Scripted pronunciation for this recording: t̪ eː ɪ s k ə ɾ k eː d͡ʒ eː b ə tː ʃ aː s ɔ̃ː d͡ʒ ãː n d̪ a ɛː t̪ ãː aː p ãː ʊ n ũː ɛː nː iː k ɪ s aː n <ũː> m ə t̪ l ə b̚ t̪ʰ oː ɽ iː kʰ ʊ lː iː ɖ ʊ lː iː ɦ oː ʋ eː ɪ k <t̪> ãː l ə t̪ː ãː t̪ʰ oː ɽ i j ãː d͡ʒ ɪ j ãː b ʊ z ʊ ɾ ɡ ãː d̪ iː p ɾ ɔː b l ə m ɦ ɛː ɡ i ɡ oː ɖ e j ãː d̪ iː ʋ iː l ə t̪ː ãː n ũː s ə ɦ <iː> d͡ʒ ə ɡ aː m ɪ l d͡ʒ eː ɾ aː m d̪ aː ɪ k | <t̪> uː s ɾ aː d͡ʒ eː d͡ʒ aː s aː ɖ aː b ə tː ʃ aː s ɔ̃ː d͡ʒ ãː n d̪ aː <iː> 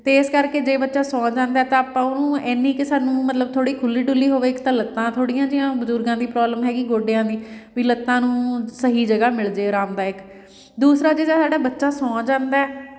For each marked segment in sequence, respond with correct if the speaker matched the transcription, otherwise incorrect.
correct, correct, correct, incorrect: d̪, incorrect: ɛː

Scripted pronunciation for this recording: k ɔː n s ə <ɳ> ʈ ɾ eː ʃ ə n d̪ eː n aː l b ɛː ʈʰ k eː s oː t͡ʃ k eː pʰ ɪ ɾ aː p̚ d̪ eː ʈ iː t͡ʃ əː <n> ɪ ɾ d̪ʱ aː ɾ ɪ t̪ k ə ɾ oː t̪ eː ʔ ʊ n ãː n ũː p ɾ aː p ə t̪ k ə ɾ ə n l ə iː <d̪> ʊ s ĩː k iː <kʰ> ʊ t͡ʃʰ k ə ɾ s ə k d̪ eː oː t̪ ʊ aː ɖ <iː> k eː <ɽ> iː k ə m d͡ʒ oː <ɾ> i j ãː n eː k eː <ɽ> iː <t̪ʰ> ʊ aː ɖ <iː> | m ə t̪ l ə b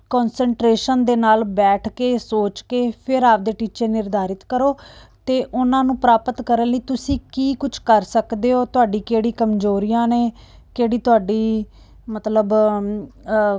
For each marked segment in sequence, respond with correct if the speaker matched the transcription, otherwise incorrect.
correct, correct, incorrect: t̪, incorrect: k, correct, correct, correct, correct, incorrect: t̪, correct

